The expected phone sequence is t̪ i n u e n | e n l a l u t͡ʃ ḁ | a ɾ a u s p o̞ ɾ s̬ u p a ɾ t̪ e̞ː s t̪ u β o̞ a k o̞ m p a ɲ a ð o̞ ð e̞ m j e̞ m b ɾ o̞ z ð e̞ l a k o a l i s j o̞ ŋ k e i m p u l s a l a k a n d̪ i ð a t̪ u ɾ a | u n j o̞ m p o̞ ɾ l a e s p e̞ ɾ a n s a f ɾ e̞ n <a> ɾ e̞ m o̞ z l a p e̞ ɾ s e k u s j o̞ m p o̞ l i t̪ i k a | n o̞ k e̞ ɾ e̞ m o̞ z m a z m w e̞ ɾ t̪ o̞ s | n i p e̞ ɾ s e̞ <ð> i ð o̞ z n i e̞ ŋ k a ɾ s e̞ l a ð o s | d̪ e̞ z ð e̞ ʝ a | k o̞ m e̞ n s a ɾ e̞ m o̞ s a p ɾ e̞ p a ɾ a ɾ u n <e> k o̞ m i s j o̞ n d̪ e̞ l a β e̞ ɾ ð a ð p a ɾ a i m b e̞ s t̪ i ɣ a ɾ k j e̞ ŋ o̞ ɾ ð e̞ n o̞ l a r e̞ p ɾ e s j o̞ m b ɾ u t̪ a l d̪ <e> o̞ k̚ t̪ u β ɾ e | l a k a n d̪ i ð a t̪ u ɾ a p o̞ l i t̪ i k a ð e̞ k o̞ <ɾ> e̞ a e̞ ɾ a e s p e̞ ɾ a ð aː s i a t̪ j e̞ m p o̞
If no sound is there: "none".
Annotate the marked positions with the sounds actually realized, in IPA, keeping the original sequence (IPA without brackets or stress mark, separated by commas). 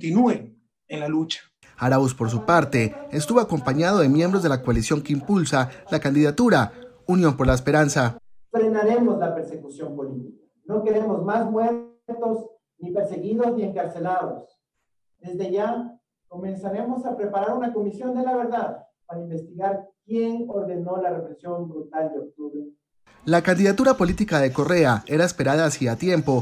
a, ɣ, a, e, r